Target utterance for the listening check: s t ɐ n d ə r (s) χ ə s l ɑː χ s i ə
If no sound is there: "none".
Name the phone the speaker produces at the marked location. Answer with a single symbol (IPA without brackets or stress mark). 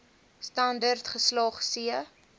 t